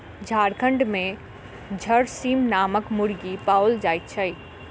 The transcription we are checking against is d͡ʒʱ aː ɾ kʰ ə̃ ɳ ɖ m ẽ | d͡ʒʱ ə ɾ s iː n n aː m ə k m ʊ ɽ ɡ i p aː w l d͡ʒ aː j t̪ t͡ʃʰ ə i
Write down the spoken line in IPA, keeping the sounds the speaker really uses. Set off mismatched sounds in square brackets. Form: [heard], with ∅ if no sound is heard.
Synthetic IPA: d͡ʒʱ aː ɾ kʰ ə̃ ɳ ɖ m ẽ | d͡ʒʱ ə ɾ s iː [m] n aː m ə k m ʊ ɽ ɡ i p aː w l d͡ʒ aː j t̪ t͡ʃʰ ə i